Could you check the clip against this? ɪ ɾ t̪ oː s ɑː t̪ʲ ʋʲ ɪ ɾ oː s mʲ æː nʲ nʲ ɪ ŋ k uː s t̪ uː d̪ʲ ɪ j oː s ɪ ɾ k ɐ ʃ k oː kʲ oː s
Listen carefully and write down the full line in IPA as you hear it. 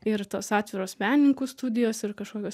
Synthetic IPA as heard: ɪ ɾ t̪ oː s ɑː t̪ʲ ʋʲ ɪ ɾ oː s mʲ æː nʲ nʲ ɪ ŋ k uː s t̪ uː d̪ʲ ɪ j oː s ɪ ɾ k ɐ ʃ k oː kʲ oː s

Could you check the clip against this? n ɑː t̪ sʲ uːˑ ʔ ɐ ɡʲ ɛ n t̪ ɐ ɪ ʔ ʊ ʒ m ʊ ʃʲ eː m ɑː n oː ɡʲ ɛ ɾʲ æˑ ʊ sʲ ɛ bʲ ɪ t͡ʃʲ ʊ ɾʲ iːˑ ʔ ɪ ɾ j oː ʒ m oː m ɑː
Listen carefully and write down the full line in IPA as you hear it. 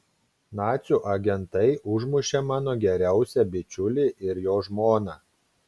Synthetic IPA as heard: n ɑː t̪ sʲ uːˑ ʔ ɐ ɡʲ ɛ n t̪ ɐ ɪ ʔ ʊ ʒ m ʊ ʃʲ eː m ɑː n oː ɡʲ ɛ ɾʲ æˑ ʊ sʲ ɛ bʲ ɪ t͡ʃʲ ʊ lʲ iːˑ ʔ ɪ ɾ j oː ʒ m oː n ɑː

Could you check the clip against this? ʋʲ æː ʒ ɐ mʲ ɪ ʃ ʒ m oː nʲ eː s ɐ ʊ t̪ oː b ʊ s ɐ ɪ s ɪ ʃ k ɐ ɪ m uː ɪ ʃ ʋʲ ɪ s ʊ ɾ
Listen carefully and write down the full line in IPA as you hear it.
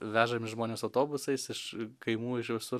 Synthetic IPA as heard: ʋʲ æː ʒ ɐ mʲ ɪ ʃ ʒ m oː nʲ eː s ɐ ʊ t̪ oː b ʊ s ɐ ɪ s ɪ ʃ k ɐ ɪ m uː ɪ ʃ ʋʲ ɪ s ʊ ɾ

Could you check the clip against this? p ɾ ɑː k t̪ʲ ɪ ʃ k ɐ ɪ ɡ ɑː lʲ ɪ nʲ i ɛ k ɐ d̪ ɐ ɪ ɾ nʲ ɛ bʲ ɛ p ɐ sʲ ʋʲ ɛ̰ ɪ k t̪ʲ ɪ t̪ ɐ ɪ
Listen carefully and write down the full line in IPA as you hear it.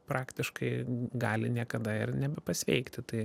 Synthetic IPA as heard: p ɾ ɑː k t̪ʲ ɪ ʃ k ɐ ɪ ɡ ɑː lʲ ɪ nʲ i ɛ k ɐ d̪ ɐ ɪ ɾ nʲ ɛ bʲ ɛ p ɐ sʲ ʋʲ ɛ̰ ɪ k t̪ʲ ɪ t̪ ɐ ɪ

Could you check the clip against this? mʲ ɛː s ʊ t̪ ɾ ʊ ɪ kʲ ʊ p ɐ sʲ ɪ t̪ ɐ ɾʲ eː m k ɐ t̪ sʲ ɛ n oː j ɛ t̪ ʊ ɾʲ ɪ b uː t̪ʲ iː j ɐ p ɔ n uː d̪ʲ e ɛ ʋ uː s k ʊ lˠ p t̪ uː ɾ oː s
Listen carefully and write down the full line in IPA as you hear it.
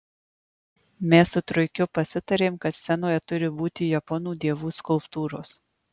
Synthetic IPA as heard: mʲ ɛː s ʊ t̪ ɾ ʊ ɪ kʲ ʊ p ɐ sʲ ɪ t̪ ɐ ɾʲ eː m k ɐ t̪ sʲ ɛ n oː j ɛ t̪ ʊ ɾʲ ɪ b uː t̪ʲ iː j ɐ p ɔ n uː d̪ʲ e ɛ ʋ uː s k ʊ lˠ p t̪ uː ɾ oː s

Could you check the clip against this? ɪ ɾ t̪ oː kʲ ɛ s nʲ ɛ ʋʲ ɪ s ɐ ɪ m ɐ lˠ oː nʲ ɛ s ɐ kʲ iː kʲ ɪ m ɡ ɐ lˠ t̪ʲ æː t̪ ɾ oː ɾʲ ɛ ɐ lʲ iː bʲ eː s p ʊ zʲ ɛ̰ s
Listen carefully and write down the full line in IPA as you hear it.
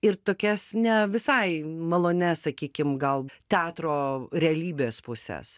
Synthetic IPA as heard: ɪ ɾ t̪ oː kʲ ɛ s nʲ ɛ ʋʲ ɪ s ɐ ɪ m ɐ lˠ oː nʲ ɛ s ɐ kʲ iː kʲ ɪ m ɡ ɐ lˠ t̪ʲ æː t̪ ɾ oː ɾʲ ɛ ɐ lʲ iː bʲ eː s p ʊ sʲ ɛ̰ s

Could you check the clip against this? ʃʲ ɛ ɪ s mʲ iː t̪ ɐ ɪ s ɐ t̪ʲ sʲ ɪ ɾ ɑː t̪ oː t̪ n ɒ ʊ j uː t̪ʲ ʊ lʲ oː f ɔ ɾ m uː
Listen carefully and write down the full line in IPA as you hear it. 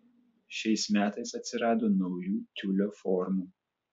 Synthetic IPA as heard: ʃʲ ɛ ɪ s mʲ æː t̪ ɐ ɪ s ɐ t̪ʲ sʲ ɪ ɾ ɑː d̪ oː n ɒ ʊ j uː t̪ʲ ʊ lʲ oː f ɔ ɾ m uː

